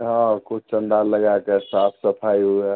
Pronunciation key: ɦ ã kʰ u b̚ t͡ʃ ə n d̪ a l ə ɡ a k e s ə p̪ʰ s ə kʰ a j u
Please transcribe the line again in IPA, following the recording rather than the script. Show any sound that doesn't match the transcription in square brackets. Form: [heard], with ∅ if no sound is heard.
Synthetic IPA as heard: ɦ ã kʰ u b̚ t͡ʃ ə n d̪ a l ə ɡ a k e s [a] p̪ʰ s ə [pʰ] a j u